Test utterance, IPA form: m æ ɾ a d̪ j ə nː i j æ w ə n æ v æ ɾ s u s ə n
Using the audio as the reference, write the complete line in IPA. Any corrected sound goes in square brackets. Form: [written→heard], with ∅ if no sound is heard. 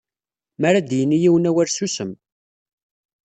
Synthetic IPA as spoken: m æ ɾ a d̪ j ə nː i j [æ→i] w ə n æ [v→w] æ ɾ s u s ə [n→m]